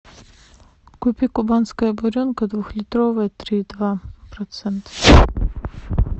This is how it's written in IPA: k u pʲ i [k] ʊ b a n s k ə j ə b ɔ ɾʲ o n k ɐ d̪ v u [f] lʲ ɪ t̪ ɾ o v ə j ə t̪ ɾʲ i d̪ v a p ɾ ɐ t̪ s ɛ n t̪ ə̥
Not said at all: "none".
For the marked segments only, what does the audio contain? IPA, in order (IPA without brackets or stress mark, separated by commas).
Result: k, x